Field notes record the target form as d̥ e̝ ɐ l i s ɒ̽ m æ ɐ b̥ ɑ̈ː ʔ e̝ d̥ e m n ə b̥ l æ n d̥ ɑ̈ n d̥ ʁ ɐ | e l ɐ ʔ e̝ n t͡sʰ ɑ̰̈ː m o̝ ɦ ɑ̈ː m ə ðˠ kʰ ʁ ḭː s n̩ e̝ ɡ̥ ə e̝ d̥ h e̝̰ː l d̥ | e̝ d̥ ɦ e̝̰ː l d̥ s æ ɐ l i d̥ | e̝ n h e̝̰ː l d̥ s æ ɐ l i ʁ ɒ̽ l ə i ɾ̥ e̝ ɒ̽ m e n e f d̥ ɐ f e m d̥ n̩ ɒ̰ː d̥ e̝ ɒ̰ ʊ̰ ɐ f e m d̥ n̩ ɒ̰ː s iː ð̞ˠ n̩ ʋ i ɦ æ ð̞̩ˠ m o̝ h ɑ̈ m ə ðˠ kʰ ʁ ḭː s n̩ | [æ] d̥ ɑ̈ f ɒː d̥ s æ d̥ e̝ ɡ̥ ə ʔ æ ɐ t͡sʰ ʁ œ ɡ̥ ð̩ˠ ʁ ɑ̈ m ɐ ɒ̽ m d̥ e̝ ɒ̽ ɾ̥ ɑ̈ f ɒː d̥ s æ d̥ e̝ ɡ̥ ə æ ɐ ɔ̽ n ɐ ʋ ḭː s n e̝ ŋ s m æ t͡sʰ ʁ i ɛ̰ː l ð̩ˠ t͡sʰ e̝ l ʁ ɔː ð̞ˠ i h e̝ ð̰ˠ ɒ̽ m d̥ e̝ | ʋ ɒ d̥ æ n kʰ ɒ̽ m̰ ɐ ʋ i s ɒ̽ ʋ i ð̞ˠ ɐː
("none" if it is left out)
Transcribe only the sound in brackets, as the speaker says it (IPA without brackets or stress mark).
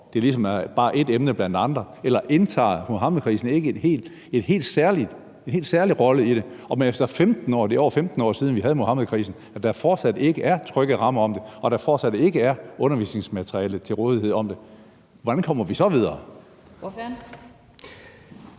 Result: æ